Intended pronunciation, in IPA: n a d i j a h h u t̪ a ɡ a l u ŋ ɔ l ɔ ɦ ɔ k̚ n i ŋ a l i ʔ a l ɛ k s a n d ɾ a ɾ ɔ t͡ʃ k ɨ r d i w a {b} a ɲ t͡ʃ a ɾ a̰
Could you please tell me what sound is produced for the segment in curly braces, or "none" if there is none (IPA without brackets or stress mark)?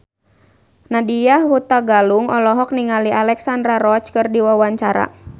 w